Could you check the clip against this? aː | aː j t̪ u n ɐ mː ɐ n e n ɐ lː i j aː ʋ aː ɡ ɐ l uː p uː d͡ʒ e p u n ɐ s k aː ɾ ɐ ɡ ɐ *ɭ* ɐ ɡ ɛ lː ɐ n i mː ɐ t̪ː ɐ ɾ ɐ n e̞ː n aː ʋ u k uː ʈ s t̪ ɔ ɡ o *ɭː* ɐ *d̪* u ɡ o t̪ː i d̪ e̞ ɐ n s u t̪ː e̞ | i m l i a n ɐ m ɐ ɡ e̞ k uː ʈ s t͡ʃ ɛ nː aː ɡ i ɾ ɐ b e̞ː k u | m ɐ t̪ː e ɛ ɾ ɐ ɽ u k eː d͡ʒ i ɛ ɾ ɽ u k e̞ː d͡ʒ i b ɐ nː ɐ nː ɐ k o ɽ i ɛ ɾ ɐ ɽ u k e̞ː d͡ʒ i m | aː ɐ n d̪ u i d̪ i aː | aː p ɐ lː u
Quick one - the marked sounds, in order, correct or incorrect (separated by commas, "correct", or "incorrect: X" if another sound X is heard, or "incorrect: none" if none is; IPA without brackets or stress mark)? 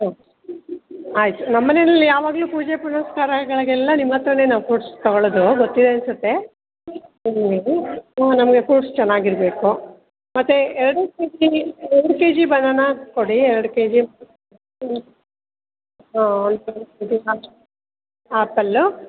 correct, incorrect: ɭ, correct